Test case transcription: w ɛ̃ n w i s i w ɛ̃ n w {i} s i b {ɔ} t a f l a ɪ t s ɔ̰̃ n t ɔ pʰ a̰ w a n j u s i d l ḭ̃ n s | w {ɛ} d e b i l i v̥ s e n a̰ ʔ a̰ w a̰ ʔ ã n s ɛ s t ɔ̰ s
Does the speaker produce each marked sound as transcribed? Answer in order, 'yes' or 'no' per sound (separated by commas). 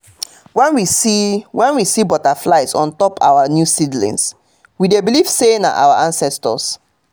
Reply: yes, yes, no